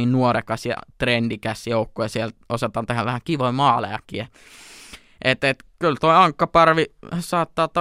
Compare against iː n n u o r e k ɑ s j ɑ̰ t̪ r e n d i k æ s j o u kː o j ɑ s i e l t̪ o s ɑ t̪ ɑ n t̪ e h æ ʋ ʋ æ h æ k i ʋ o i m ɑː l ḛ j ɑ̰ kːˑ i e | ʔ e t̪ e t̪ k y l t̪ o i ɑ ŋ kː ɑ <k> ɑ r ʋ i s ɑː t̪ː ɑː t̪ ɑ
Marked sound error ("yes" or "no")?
yes